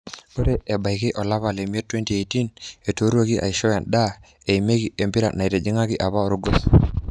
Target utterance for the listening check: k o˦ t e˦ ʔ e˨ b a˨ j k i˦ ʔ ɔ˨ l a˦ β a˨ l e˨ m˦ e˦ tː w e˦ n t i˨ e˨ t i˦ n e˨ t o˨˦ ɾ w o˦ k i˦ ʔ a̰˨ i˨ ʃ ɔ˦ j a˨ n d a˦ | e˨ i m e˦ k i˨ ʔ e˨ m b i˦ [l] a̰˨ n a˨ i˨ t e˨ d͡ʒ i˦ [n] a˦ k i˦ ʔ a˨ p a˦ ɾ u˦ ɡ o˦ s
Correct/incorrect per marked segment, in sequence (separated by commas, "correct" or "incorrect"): incorrect, incorrect